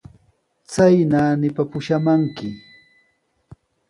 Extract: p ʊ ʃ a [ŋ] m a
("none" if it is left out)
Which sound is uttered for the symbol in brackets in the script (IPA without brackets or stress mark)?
none